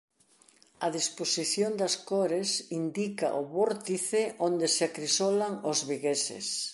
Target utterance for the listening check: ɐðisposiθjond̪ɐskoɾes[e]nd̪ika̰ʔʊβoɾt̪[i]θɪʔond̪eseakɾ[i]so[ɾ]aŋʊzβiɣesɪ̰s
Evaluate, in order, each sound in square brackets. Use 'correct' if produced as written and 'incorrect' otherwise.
incorrect, correct, correct, incorrect

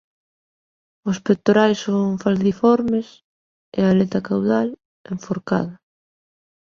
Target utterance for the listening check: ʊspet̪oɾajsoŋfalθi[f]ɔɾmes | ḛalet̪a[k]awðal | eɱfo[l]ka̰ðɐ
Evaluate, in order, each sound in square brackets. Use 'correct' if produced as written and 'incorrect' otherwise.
correct, correct, incorrect

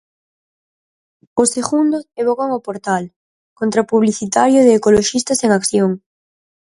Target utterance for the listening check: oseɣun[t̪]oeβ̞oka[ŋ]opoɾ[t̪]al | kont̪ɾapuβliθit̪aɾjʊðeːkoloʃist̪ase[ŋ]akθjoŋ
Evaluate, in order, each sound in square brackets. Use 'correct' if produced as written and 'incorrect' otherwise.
incorrect, correct, correct, correct

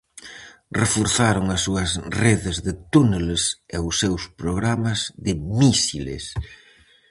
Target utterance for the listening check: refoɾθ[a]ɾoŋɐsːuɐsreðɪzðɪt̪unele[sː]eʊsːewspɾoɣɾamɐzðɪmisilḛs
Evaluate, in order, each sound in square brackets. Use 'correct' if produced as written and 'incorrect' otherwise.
correct, incorrect

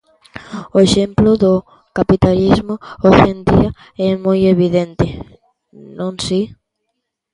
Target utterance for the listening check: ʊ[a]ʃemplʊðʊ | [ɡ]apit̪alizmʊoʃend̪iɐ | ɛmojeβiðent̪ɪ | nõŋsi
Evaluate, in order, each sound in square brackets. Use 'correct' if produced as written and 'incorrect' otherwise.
incorrect, incorrect

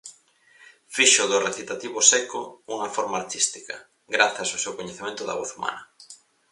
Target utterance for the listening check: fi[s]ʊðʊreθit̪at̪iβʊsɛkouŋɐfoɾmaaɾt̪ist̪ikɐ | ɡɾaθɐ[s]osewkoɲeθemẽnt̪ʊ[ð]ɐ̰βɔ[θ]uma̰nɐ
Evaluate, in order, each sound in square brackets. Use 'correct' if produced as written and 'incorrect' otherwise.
incorrect, correct, correct, correct

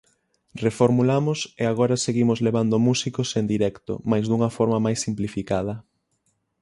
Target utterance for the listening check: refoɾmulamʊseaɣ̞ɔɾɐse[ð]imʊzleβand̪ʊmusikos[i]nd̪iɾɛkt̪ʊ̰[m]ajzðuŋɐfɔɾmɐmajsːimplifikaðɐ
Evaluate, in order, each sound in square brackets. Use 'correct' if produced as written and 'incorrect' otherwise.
incorrect, incorrect, correct

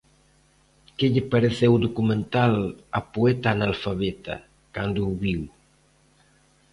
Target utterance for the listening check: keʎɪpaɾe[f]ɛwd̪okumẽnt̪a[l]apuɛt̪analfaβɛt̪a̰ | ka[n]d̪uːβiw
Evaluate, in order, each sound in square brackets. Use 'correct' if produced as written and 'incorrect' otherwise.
incorrect, correct, correct

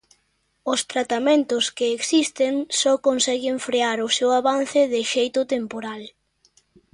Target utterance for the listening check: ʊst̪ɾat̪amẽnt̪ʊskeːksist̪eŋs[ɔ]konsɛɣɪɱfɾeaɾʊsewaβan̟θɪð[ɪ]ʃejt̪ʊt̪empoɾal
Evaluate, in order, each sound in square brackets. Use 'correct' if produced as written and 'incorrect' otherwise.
correct, correct

